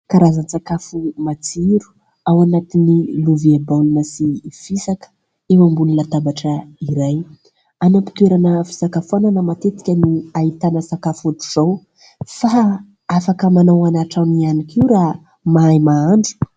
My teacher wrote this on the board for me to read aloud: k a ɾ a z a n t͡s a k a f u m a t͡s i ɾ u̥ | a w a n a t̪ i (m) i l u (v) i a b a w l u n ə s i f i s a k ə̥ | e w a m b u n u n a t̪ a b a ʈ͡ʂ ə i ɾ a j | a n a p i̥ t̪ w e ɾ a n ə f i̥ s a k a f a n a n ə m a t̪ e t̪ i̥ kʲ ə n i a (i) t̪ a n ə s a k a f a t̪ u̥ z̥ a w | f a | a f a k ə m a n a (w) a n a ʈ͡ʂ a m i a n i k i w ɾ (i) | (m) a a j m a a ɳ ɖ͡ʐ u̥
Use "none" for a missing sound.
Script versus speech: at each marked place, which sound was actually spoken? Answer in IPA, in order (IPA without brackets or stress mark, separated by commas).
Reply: n, v, i, w, a, m